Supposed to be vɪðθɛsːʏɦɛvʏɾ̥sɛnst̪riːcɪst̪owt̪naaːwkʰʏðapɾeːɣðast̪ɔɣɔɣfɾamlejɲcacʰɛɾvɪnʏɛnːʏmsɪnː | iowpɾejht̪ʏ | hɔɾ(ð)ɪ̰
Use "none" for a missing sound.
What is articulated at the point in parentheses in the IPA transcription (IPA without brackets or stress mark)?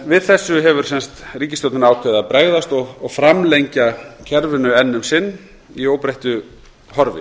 v